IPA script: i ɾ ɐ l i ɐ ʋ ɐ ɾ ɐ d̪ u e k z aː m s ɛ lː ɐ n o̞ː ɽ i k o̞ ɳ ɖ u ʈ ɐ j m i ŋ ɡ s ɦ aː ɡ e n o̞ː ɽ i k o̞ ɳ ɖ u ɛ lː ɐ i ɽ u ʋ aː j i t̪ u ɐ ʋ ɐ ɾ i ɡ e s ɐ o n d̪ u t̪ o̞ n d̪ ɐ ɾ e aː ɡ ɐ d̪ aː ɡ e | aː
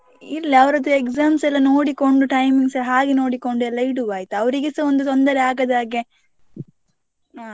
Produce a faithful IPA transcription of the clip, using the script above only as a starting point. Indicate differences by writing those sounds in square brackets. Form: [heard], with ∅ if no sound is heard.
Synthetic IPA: i ɾ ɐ l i ɐ ʋ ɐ ɾ ɐ d̪ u e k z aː m s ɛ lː ɐ n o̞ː ɽ i k o̞ ɳ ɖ u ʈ ɐ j m i ŋ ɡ s ɦ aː ɡ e n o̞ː ɽ i k o̞ ɳ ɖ u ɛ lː ɐ i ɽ u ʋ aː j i t̪ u ɐ ʋ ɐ ɾ i ɡ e s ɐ o n d̪ u t̪ o̞ n d̪ ɐ ɾ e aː ɡ ɐ d̪ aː ɡ e | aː